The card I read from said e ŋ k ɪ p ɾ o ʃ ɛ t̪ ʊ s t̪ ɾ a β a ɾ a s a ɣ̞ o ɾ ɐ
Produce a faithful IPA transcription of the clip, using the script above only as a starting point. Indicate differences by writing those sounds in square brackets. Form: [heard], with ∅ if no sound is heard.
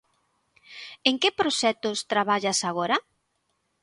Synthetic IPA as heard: e ŋ k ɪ p ɾ o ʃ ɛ t̪ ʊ s t̪ ɾ a β a [ʎ] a s a ɣ̞ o ɾ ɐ